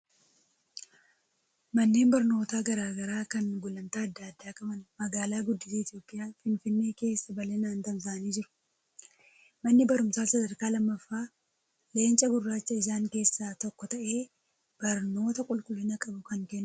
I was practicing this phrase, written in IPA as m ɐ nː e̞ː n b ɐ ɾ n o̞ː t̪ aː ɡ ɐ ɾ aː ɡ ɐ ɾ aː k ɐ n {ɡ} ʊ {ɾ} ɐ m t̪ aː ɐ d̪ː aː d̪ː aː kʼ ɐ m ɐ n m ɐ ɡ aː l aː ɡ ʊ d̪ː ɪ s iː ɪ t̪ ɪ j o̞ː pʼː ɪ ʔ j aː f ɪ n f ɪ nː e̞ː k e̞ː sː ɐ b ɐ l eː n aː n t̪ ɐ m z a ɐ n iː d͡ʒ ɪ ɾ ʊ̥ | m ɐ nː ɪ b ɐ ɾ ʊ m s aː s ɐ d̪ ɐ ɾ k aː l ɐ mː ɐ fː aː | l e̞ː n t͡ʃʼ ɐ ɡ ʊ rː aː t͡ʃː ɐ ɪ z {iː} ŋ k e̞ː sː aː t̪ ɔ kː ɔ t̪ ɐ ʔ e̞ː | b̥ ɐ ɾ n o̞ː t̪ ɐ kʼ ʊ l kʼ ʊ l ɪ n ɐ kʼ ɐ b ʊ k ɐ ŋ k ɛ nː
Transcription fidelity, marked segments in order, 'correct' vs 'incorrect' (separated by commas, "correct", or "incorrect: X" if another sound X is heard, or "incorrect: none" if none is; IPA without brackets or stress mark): correct, incorrect: l, incorrect: aː